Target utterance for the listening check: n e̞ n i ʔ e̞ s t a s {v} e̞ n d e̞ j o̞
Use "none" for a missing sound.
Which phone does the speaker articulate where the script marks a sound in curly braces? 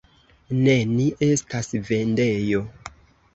v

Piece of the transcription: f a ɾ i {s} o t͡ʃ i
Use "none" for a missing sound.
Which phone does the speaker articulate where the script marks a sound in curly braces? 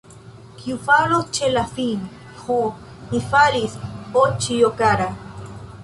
s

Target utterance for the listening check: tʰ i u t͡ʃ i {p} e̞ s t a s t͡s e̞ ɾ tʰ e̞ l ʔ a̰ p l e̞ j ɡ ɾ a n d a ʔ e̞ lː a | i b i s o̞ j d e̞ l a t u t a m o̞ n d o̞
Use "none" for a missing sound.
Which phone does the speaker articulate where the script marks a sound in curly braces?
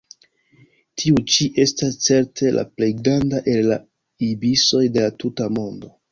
ʔ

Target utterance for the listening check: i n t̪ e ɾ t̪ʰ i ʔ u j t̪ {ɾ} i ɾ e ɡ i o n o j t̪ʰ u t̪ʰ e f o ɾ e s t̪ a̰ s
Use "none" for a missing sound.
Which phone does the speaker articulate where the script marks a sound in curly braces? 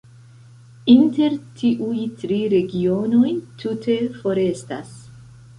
ɾ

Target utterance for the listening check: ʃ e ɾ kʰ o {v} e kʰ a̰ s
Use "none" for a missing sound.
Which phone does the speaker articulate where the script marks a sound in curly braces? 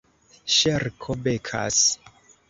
b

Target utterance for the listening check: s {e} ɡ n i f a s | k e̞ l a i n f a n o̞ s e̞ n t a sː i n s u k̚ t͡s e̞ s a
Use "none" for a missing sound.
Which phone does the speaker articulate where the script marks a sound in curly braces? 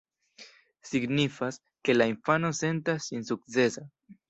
i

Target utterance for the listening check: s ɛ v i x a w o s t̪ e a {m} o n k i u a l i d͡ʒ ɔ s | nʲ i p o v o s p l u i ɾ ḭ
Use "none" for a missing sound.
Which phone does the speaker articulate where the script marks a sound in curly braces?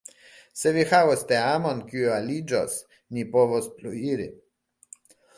m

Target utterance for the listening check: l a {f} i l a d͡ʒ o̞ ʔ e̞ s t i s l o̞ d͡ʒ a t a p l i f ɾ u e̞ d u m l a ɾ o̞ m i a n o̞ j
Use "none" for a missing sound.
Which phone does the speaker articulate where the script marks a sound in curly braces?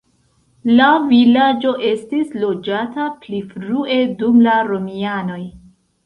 v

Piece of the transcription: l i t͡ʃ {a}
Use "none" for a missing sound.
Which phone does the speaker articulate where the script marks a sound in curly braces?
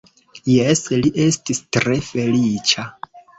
a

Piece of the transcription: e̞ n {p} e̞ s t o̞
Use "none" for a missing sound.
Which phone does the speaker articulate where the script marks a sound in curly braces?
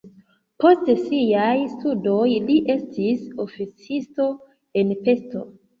p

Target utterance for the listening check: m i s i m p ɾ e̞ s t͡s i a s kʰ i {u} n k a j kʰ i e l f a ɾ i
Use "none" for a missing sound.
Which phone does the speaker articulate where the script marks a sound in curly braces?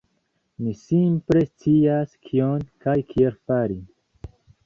o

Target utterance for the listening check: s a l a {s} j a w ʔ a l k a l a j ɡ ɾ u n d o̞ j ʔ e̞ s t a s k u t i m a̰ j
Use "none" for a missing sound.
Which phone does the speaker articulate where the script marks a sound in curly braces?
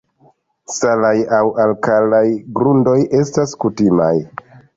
none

